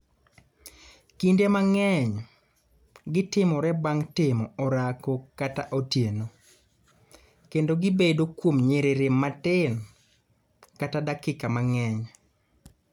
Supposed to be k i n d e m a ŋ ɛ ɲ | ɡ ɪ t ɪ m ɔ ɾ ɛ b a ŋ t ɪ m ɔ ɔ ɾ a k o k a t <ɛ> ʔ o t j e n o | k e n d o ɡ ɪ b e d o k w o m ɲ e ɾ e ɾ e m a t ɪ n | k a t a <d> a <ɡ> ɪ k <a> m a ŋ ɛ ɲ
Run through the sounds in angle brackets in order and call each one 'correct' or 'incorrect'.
incorrect: a, correct, incorrect: k, correct

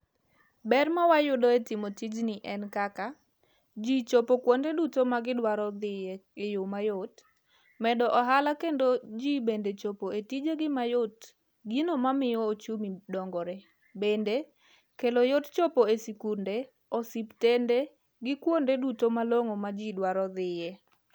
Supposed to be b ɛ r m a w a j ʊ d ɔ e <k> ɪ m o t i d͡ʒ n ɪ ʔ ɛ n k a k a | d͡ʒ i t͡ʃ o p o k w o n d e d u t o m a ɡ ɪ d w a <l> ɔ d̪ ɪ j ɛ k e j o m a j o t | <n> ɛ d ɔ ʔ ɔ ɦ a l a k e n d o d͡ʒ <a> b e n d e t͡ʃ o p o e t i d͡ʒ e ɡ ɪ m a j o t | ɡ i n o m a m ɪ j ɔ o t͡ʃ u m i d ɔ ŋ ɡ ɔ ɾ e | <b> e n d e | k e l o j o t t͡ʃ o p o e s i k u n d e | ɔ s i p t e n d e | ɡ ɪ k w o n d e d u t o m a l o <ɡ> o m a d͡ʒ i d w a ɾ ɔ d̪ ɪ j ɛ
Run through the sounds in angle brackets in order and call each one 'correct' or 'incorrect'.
incorrect: t, incorrect: ɾ, incorrect: m, incorrect: i, correct, incorrect: ŋ

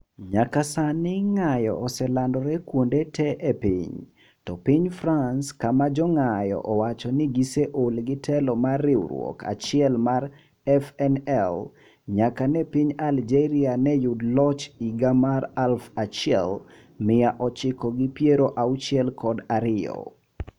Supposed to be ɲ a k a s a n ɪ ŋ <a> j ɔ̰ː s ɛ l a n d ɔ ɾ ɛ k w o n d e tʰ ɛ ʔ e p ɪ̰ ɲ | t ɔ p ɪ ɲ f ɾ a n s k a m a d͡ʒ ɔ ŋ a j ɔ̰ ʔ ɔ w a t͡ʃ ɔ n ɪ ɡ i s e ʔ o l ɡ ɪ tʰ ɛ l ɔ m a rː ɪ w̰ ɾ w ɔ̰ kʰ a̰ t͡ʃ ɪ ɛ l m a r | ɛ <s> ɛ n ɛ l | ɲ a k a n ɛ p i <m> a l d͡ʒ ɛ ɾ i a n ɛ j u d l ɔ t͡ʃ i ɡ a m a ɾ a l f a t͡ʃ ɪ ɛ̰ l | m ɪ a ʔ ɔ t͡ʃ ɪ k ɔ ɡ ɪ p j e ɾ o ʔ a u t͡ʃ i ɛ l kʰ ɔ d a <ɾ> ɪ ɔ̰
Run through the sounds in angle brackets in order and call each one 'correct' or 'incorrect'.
correct, incorrect: f, incorrect: ɲ, correct

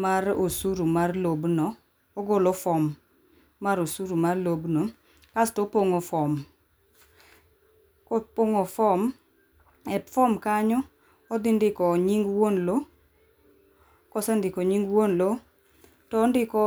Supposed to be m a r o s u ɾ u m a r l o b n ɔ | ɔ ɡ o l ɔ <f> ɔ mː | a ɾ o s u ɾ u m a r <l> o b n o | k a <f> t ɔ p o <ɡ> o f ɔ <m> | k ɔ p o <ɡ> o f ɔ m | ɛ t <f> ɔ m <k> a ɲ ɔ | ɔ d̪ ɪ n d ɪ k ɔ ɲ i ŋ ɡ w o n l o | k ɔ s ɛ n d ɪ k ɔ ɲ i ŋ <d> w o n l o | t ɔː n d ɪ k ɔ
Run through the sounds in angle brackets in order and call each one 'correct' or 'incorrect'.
correct, correct, incorrect: s, incorrect: ŋ, correct, incorrect: ŋ, correct, correct, incorrect: ɡ

